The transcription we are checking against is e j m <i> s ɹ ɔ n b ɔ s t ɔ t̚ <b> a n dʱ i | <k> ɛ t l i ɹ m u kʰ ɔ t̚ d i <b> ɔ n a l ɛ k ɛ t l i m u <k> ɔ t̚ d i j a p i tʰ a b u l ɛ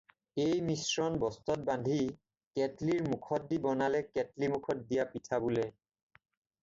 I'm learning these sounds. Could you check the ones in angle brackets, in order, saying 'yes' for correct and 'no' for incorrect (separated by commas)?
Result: yes, yes, yes, yes, no